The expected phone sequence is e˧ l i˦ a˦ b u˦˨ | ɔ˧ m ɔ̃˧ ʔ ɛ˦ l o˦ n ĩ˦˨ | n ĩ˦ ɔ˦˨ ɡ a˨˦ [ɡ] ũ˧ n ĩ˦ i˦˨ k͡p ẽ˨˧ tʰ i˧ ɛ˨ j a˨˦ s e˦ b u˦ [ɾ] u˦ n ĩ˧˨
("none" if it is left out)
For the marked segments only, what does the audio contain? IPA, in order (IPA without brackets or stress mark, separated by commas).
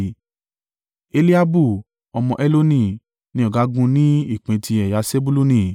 ɡ, l